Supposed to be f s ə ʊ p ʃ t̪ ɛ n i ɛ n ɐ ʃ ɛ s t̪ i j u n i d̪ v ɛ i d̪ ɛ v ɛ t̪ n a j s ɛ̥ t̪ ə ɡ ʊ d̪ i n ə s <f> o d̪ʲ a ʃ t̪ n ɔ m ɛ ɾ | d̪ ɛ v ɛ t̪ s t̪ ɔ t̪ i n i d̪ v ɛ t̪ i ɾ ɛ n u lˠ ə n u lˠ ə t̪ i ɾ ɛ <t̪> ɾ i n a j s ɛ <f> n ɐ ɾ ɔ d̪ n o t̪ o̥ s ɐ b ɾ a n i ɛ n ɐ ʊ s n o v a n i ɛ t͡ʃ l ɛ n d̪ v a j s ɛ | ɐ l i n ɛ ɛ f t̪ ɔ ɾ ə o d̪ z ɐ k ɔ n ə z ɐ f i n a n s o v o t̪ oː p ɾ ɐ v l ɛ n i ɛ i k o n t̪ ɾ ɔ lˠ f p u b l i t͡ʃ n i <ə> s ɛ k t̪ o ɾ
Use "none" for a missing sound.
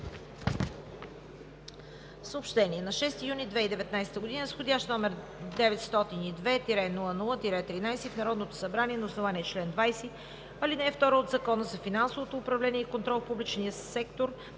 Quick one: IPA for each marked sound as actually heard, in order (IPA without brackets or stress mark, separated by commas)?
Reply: x, t̪, f, ə